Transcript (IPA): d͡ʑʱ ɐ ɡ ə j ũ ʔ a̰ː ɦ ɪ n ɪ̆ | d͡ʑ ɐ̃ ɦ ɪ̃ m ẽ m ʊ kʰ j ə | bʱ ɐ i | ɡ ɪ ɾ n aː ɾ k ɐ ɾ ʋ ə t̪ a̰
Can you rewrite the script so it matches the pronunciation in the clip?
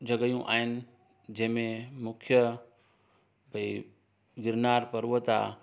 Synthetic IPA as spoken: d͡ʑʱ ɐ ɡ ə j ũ ʔ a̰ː ɦ ɪ n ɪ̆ | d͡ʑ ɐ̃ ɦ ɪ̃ m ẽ m ʊ kʰ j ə | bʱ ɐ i | ɡ ɪ ɾ n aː ɾ p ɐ ɾ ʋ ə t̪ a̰